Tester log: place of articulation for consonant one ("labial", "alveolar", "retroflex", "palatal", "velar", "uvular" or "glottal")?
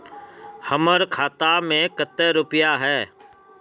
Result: glottal